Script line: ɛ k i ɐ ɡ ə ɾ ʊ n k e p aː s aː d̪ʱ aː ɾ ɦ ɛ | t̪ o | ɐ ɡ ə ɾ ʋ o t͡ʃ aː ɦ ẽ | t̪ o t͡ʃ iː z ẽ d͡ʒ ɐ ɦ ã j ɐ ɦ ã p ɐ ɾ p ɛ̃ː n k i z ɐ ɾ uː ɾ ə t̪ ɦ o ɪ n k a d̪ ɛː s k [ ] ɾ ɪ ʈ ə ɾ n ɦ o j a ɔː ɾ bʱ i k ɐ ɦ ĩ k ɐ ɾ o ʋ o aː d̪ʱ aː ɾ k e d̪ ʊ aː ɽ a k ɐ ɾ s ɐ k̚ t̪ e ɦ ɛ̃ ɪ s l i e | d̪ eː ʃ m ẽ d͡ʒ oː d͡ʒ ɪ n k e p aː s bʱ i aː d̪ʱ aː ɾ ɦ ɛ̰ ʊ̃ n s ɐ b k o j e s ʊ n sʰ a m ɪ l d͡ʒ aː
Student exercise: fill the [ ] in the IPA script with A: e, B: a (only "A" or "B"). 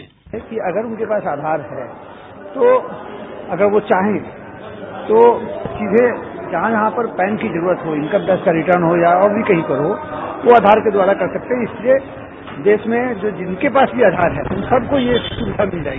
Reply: B